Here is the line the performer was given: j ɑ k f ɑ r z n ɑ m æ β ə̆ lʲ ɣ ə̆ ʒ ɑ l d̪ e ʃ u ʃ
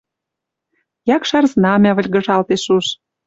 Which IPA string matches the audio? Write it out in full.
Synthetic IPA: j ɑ k ʃ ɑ r z n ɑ m æ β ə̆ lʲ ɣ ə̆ ʒ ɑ l t̪ e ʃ u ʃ